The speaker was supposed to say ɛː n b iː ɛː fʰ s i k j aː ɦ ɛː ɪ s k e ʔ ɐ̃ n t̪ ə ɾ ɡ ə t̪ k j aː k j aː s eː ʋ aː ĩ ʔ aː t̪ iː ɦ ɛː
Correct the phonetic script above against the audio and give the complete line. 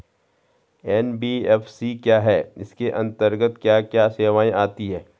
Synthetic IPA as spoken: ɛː n b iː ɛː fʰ s i k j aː ɦ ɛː ɪ s k e ʔ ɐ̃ n t̪ ə ɾ ɡ ə t̪ k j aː k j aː s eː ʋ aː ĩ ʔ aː t̪ i ɦ ɛː